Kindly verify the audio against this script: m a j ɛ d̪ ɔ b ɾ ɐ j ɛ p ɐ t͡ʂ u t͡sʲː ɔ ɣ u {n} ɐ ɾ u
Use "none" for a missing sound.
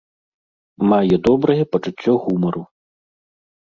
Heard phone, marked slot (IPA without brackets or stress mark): m